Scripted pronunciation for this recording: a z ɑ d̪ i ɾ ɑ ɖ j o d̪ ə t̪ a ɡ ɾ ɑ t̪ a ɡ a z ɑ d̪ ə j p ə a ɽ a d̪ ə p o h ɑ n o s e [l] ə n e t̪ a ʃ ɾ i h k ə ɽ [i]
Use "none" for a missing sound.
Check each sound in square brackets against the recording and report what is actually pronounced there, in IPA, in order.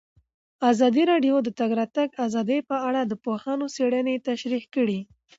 ɽ, i

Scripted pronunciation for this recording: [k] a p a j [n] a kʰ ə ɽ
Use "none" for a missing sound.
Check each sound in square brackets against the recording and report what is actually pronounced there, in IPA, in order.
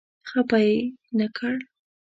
x, n

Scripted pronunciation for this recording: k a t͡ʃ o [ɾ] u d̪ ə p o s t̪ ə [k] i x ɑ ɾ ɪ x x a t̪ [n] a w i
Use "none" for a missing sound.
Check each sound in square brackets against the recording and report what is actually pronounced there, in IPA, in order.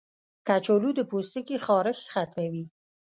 l, k, m

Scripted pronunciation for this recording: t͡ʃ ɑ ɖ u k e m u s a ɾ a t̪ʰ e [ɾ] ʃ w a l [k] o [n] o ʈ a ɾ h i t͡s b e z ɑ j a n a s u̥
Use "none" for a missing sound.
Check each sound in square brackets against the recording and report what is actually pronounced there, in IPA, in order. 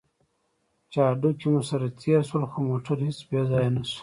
ɾ, x, m

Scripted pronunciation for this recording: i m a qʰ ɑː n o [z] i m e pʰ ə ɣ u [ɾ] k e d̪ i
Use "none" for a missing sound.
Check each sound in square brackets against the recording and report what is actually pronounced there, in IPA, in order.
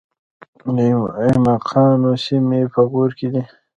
s, ɾ

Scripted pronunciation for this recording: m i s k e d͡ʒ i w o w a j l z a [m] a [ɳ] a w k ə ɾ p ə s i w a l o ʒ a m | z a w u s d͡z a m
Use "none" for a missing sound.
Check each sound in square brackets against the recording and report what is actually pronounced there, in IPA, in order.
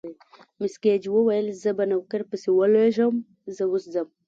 b, n

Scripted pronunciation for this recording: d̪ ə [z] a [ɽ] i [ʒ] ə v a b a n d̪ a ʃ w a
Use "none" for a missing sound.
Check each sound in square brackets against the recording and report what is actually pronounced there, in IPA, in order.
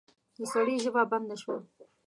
s, ɽ, ʒ

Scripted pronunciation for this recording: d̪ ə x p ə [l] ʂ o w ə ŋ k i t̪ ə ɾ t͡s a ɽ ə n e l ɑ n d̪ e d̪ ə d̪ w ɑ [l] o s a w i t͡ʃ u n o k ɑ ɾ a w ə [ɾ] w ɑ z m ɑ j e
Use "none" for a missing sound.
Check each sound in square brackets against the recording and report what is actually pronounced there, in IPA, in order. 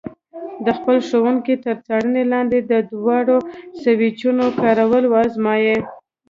l, ɽ, l

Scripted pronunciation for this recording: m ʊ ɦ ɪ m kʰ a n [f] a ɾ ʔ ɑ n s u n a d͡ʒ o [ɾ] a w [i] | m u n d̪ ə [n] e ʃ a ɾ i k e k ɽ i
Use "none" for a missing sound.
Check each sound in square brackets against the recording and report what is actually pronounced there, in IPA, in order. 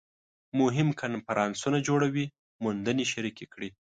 f, ɽ, i, n

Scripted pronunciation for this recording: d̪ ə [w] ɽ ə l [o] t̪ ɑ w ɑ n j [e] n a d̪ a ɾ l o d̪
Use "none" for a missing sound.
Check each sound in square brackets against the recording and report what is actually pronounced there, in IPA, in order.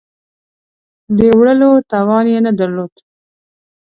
w, o, e

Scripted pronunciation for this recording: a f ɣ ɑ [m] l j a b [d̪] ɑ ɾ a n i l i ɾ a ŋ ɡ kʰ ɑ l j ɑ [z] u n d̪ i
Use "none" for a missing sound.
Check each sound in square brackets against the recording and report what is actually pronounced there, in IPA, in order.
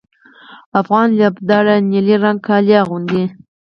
n, d̪, ɣ

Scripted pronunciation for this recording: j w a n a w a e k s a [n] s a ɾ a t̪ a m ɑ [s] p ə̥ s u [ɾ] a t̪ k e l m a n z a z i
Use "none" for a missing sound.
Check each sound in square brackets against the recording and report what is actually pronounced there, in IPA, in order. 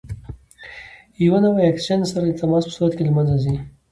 n, s, ɾ

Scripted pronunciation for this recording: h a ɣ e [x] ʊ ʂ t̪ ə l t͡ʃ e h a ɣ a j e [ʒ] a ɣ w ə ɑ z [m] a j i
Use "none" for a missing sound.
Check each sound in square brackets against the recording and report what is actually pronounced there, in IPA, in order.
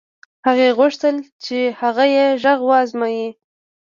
ɣ, ʒ, m

